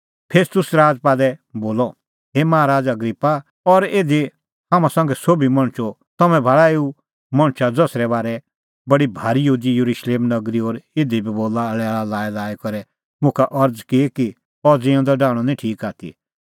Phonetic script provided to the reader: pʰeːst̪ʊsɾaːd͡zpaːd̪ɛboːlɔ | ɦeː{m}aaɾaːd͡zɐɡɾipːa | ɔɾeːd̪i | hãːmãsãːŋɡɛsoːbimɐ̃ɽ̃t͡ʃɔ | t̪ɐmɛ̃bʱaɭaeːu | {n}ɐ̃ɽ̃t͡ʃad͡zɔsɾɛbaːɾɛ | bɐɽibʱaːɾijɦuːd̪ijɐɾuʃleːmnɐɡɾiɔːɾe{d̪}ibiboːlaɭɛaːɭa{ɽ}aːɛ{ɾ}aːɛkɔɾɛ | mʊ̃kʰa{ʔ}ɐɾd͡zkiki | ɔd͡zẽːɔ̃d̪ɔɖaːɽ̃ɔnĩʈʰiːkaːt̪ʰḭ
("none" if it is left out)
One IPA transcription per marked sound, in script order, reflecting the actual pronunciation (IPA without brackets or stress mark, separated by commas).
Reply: m, m, d̪, l, l, ʔ